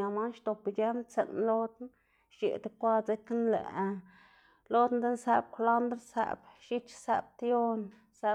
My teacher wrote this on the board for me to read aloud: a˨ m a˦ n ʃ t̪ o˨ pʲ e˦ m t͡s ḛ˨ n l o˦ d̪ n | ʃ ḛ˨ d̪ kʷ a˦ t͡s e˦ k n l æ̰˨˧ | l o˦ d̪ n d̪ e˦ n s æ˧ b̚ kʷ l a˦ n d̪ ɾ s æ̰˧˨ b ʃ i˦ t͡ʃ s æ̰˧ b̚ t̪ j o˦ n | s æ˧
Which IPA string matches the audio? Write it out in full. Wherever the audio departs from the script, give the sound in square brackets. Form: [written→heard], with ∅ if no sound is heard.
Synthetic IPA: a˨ m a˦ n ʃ t̪ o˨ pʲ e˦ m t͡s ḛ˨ n l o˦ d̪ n | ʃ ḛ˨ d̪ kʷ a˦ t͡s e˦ k n l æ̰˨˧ | l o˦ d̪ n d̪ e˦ n s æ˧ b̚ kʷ l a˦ n d̪ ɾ s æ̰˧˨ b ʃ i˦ t͡ʃ s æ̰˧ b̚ t̪ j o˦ n | s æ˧